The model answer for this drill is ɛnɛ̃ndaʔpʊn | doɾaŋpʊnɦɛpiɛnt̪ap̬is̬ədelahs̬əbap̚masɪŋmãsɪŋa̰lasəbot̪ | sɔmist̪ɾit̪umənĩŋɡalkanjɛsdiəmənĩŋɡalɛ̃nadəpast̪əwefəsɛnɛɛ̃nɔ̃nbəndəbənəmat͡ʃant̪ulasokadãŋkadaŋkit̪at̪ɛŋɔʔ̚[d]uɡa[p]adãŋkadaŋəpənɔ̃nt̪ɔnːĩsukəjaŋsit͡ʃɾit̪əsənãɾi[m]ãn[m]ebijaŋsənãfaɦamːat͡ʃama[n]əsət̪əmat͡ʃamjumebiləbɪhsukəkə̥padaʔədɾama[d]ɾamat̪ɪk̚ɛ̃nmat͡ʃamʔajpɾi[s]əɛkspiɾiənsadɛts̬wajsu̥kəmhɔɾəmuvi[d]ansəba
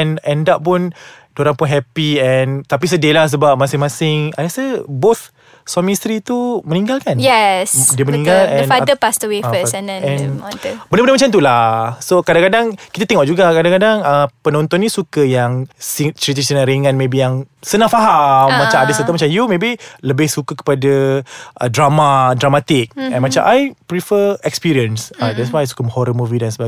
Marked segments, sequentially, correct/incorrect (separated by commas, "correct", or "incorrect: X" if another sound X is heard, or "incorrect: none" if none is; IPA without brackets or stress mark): incorrect: d͡ʒ, incorrect: k, incorrect: ŋ, correct, incorrect: d, correct, incorrect: f, correct